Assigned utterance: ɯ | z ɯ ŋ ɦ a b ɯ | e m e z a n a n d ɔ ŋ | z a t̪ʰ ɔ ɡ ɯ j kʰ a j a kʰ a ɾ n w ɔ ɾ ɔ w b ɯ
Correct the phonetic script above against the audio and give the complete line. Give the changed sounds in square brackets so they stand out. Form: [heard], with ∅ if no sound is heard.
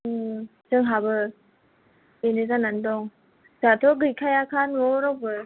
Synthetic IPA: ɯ | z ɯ ŋ ɦ a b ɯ | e [n] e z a n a n d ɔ ŋ | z a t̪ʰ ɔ ɡ ɯ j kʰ a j a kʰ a [∅] n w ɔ ɾ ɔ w b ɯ